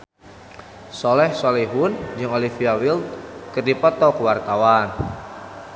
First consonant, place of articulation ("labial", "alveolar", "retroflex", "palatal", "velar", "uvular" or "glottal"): alveolar